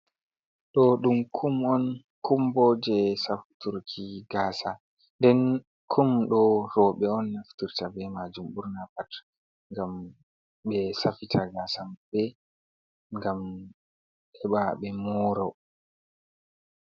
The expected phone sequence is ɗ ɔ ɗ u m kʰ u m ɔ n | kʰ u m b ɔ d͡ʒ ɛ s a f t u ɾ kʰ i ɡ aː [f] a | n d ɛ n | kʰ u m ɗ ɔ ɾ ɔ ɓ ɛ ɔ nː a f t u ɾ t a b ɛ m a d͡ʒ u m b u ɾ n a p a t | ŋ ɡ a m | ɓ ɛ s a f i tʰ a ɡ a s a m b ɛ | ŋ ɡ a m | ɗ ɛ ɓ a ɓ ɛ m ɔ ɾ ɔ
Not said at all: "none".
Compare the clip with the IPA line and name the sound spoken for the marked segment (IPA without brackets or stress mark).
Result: s